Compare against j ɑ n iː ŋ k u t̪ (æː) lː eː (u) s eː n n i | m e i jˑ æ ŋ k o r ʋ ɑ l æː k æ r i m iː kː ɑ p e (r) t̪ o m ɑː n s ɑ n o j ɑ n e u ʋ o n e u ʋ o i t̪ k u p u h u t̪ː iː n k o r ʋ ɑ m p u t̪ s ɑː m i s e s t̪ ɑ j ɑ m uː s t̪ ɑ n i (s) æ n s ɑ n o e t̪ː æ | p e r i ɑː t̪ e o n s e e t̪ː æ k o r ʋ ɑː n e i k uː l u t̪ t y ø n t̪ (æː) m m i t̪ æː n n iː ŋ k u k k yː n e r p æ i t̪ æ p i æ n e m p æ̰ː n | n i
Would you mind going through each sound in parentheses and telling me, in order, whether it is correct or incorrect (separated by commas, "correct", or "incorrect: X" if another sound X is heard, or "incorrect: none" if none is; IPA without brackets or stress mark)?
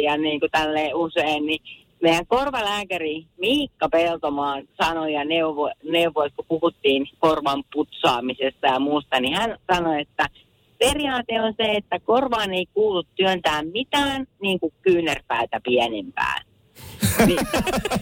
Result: incorrect: æ, correct, incorrect: l, incorrect: h, correct